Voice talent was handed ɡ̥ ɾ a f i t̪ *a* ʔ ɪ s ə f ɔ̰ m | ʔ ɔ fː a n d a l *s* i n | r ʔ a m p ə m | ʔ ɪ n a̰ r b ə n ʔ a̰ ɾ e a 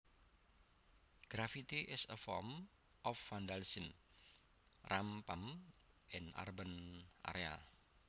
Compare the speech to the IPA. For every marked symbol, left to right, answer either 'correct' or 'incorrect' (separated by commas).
incorrect, correct